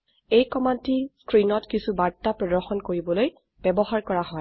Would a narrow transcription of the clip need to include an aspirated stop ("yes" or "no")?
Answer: no